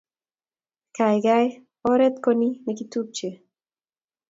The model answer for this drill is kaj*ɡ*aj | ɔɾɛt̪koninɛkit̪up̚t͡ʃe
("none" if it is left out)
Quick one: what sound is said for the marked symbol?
ɡ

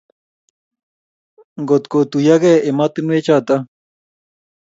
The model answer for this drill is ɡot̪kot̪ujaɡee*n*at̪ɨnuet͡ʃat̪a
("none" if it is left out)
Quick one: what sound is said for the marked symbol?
m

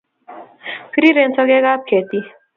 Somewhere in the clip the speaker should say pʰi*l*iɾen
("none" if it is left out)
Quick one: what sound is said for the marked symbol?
ɾ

